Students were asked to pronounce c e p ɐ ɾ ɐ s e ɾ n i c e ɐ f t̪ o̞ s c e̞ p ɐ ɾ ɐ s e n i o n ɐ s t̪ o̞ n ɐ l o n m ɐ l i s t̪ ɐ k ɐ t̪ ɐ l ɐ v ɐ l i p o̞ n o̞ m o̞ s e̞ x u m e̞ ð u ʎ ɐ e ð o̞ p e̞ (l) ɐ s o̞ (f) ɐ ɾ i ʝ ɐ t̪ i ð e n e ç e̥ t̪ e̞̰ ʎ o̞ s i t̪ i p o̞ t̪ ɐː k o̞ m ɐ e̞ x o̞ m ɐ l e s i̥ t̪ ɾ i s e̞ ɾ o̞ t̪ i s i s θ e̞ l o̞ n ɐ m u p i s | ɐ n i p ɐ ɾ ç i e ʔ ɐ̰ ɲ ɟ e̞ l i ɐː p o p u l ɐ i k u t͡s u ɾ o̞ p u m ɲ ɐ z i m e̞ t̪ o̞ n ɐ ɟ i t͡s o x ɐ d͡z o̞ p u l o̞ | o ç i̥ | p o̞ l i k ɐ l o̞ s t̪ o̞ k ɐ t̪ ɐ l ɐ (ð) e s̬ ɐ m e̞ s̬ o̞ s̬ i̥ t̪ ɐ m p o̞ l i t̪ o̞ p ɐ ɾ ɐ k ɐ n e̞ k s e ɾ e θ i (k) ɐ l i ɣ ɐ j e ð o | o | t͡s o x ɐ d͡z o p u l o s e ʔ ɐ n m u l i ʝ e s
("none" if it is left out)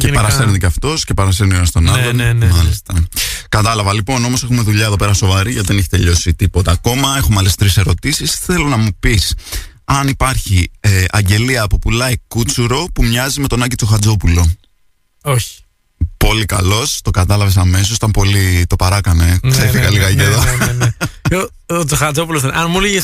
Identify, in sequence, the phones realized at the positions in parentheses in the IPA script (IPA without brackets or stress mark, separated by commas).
ɾ, v, v, k